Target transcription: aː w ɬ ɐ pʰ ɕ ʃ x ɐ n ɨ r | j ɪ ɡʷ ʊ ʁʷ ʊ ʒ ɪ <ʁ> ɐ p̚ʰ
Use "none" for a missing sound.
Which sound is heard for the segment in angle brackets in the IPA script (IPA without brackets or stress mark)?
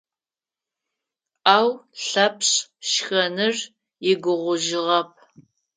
ʁ